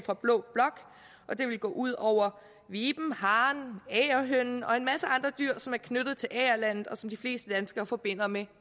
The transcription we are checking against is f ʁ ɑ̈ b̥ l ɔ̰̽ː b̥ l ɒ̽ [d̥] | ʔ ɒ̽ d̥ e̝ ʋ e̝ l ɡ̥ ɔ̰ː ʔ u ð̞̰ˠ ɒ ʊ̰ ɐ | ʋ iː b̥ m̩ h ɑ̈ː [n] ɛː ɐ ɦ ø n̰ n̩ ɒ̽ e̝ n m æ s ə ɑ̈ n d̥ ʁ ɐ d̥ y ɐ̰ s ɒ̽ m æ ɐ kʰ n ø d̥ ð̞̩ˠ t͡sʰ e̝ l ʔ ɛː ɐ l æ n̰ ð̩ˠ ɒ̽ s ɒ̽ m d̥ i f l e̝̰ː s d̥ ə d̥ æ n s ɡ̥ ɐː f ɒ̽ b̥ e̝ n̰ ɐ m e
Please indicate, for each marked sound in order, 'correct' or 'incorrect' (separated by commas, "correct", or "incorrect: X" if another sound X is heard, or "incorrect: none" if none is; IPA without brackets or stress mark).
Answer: incorrect: ɡ̥, correct